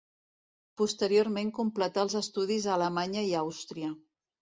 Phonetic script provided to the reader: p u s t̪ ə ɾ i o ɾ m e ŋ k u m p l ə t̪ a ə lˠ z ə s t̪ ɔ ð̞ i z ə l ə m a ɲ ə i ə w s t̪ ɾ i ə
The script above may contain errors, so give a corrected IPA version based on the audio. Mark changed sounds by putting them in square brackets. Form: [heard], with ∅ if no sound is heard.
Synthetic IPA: p u s t̪ ə ɾ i o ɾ m e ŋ k u m p l ə t̪ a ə lˠ z ə s t̪ [u] ð̞ i z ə l ə m a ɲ ə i [a] w s t̪ ɾ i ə